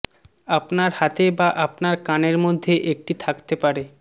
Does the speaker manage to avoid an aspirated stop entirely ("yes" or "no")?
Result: no